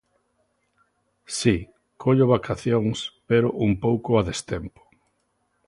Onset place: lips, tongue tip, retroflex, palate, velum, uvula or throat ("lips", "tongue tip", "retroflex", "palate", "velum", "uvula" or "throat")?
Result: tongue tip